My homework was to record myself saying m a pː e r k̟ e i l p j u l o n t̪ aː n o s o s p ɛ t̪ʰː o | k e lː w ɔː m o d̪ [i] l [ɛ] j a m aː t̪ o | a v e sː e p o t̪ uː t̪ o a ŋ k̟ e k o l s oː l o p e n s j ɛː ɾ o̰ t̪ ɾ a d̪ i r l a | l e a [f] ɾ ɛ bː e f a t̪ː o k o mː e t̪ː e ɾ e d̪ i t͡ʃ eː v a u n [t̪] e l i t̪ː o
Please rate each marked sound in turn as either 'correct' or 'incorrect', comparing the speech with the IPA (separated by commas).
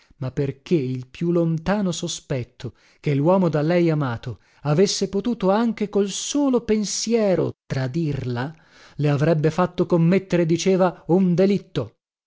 incorrect, correct, incorrect, incorrect